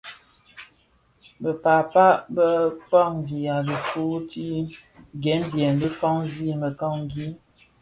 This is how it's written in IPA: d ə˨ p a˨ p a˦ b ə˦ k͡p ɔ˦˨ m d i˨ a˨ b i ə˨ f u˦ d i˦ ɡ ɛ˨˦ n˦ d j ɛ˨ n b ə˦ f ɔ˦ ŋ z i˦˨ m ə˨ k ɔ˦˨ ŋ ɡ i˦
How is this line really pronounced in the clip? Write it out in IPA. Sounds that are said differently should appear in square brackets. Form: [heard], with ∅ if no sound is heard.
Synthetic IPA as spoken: [b] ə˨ p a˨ p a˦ b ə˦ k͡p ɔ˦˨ [ŋ] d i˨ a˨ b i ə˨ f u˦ [t] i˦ ɡ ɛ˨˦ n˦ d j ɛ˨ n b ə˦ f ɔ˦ ŋ z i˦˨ m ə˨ k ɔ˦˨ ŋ ɡ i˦

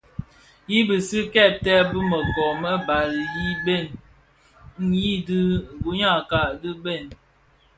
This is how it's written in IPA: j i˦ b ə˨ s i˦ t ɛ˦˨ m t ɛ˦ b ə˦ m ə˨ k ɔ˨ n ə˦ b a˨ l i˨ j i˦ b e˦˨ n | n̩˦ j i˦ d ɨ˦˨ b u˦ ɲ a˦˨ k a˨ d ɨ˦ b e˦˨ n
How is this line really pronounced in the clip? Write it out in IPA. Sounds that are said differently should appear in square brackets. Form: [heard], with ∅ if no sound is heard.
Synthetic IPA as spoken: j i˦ b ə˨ s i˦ [k] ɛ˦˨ [∅] t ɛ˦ b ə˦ m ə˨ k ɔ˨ [m] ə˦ b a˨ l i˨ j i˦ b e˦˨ n | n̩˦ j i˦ d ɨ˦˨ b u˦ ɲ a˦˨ k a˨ d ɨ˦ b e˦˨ n

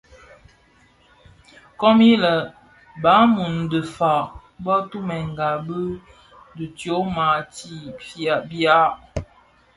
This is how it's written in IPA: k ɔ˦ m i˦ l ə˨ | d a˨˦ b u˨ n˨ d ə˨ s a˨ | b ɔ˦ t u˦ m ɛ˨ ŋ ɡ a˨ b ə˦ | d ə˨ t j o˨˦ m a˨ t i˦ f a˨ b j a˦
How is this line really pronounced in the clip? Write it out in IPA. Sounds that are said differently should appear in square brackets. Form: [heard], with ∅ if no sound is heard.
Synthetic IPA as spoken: k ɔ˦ m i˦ l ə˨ | [b] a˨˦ [m] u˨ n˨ d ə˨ [f] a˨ | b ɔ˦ t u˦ m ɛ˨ ŋ ɡ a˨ b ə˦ | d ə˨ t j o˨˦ m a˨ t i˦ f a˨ b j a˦

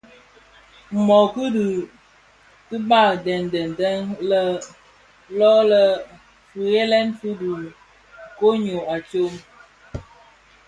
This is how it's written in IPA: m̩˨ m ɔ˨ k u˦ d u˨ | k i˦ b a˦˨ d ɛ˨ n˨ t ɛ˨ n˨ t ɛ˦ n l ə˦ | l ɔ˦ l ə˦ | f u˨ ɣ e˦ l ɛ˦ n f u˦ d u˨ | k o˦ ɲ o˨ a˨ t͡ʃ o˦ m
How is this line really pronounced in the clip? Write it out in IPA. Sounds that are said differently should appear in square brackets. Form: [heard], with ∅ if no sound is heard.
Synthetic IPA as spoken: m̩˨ m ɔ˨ k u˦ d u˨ | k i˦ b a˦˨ d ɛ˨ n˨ [d] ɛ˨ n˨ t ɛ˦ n l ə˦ | l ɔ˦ l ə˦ | f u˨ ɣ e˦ l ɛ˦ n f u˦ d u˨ | k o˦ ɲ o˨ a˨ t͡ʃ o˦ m

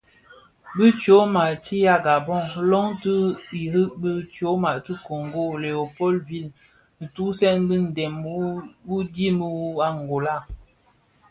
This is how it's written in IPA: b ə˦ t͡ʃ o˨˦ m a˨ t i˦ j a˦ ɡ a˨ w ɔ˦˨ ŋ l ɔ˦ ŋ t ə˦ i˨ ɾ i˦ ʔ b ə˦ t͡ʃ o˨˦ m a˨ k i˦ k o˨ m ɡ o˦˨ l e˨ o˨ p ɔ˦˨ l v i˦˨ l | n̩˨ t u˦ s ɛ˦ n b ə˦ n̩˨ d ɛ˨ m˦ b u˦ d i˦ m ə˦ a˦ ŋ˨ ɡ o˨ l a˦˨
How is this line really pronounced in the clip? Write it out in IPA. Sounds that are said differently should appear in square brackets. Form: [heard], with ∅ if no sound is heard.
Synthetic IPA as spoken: b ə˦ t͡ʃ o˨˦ m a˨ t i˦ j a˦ ɡ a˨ [b] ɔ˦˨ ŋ l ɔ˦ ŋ t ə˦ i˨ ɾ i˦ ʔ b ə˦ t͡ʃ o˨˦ m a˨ [t] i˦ k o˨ [ŋ] ɡ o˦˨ l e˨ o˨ p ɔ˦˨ l v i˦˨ l | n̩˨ t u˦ s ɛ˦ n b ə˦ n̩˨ d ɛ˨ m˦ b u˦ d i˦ m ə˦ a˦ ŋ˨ ɡ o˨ l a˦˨

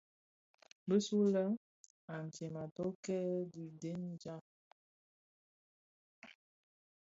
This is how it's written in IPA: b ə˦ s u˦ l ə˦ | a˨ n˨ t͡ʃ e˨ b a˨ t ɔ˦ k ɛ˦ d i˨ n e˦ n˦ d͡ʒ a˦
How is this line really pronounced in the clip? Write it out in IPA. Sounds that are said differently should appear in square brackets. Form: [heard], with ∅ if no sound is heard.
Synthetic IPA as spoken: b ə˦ s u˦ l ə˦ | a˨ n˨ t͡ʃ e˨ [m] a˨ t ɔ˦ k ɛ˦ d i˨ [d] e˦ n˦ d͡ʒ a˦

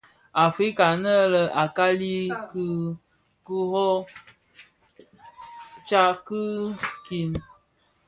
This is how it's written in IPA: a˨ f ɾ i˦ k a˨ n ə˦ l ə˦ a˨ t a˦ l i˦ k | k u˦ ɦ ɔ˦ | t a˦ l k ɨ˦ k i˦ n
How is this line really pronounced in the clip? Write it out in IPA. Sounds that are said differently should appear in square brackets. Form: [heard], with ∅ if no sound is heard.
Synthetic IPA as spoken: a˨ f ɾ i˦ k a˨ n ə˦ l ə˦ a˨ [k] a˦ l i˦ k | k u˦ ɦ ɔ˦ | [t͡ʃ] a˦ [∅] k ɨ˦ k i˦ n

